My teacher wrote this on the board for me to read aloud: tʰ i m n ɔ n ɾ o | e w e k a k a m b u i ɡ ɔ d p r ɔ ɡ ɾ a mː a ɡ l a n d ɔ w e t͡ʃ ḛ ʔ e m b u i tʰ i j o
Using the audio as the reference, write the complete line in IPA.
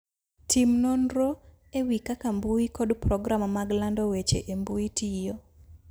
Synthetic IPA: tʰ i m n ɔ n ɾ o | e w i k a k a m b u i k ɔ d p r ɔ ɡ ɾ a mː a ɡ l a n d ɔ w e t͡ʃ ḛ ʔ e m b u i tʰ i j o